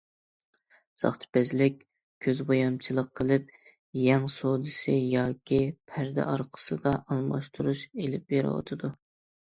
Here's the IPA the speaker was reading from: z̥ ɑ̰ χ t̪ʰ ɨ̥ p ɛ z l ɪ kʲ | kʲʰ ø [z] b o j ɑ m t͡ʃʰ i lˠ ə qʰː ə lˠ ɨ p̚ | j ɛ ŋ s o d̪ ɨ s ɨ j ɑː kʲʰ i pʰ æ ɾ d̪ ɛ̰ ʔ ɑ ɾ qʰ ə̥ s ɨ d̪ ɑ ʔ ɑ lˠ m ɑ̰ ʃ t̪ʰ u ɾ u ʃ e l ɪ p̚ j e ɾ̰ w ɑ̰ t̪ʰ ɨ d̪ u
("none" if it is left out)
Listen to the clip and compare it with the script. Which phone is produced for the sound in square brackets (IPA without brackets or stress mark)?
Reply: z